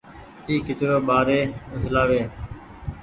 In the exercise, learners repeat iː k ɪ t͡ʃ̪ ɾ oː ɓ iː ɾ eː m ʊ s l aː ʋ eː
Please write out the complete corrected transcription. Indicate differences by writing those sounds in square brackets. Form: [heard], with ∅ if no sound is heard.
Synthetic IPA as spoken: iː k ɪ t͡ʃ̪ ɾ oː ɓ [aː] ɾ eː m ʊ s l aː ʋ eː